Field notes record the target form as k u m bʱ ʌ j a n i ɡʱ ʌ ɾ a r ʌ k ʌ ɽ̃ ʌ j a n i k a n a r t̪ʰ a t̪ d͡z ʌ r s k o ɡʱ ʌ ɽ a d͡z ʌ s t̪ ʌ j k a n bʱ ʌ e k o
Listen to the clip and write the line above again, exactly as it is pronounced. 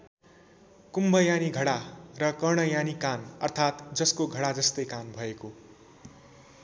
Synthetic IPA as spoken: k u m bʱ ʌ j a n i ɡʱ ʌ ɽ a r ʌ k ʌ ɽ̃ ʌ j a n i k a n ʌ r t̪ʰ a t̪ d͡z ʌ s k o ɡʱ ʌ ɽ a d͡z ʌ s t̪ ʌ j k a n bʱ ʌ e k o